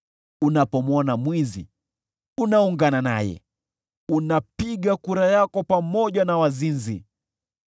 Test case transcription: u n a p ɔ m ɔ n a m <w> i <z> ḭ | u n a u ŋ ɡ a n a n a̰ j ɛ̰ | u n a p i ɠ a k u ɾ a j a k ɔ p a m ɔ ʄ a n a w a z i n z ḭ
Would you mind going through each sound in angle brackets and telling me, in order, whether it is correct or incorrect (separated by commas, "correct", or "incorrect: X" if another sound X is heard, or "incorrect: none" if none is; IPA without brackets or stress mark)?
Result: correct, correct